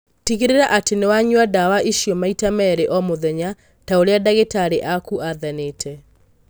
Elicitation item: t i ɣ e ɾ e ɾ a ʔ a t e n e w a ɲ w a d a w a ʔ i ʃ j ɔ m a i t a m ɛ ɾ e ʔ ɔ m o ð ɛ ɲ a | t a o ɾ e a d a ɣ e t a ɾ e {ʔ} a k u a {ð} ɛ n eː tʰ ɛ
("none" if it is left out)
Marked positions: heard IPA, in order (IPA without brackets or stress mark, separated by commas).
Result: ʔ, ð